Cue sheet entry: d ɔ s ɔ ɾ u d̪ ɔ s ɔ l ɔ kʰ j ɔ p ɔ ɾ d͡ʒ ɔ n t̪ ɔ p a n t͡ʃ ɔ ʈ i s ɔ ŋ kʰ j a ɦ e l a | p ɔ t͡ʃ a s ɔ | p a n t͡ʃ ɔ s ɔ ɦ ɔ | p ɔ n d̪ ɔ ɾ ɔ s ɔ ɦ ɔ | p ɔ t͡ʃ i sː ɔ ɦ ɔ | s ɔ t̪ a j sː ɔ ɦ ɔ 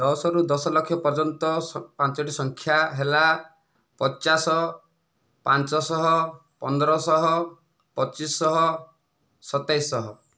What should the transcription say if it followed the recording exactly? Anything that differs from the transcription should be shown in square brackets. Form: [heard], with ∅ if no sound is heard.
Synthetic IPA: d ɔ s ɔ ɾ u d̪ ɔ s ɔ l ɔ kʰ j ɔ p ɔ ɾ d͡ʒ ɔ n t̪ ɔ p a n t͡ʃ ɔ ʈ i s ɔ ŋ kʰ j a ɦ e l a | p ɔ t͡ʃ a s ɔ | p a n t͡ʃ ɔ s ɔ ɦ ɔ | p ɔ n d̪ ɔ ɾ ɔ s ɔ ɦ ɔ | p ɔ t͡ʃ i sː ɔ ɦ ɔ | s ɔ t̪ a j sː ɔ ɦ ɔ

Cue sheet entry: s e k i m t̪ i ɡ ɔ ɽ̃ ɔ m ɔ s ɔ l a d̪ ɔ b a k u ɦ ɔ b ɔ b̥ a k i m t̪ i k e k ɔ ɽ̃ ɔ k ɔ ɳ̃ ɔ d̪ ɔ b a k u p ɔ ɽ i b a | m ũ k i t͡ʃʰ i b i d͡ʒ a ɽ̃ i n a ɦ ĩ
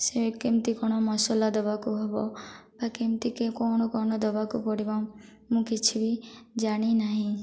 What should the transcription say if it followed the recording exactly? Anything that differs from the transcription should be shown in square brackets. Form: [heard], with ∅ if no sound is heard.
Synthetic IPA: s e k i m t̪ i [k] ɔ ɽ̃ ɔ m ɔ s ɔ l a d̪ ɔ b a k u ɦ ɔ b ɔ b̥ a k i m t̪ i k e k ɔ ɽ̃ ɔ k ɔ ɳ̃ ɔ d̪ ɔ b a k u p ɔ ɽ i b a | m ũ k i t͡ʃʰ i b i d͡ʒ a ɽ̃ i n a ɦ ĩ

